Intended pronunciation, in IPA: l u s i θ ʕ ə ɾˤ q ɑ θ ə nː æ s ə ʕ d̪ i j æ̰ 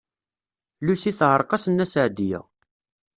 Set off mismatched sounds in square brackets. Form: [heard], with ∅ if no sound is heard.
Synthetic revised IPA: l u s i θ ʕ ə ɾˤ q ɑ [s] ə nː æ s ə ʕ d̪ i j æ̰